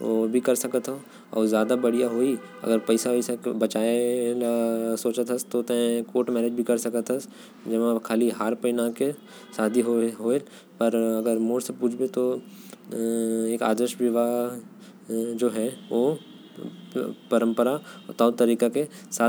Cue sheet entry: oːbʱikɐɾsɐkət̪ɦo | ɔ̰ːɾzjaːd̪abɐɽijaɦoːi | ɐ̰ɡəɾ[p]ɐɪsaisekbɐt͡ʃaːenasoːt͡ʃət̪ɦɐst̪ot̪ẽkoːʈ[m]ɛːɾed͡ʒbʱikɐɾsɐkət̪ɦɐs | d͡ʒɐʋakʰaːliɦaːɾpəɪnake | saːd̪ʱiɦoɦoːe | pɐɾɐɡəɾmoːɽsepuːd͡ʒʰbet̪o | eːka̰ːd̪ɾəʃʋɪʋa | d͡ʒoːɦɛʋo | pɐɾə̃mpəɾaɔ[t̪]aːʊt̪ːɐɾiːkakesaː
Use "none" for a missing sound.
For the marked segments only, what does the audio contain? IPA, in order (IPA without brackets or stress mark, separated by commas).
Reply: p, m, t̪